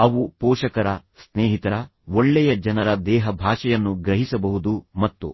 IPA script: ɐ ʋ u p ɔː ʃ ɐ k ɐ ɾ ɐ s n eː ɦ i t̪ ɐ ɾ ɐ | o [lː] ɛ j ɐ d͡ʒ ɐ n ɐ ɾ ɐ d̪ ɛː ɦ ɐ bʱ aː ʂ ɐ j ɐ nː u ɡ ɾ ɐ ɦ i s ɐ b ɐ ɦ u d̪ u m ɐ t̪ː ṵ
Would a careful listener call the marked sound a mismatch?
yes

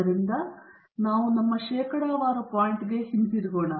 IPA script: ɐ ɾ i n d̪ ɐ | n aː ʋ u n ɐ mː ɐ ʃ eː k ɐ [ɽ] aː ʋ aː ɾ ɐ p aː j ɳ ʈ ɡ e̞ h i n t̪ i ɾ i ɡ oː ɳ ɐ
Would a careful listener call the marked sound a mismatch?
no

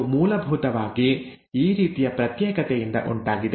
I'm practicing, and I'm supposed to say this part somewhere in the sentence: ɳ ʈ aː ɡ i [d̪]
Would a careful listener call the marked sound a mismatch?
no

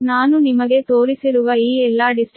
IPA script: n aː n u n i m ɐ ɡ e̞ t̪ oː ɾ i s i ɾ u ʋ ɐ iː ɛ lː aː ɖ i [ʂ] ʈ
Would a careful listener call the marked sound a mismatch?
yes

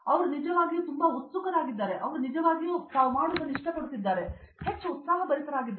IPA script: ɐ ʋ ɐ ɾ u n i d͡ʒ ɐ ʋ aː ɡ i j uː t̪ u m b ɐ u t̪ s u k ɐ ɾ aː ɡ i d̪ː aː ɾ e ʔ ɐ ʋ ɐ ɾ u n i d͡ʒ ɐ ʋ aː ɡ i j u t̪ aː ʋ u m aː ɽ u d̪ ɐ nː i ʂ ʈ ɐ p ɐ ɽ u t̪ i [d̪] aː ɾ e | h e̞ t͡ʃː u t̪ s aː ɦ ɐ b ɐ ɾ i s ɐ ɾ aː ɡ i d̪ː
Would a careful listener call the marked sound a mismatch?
yes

